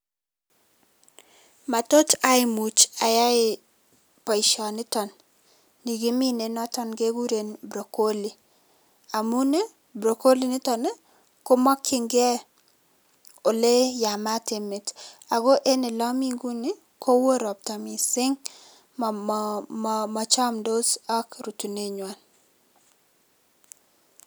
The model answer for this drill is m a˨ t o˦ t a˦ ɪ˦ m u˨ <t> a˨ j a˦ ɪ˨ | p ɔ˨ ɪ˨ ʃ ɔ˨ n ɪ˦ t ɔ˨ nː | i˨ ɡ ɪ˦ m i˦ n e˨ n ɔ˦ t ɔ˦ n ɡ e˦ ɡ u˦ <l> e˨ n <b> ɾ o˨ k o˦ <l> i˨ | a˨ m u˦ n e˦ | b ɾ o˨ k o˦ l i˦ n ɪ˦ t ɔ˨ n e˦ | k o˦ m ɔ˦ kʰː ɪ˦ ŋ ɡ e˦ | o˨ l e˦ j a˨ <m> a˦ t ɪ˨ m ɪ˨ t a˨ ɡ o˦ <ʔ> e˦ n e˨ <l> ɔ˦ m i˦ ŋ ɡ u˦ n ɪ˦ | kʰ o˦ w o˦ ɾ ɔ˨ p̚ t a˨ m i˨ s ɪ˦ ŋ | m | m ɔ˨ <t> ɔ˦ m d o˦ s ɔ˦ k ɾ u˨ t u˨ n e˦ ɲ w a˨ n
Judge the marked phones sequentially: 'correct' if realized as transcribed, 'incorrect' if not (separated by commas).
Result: incorrect, incorrect, correct, correct, correct, correct, correct, incorrect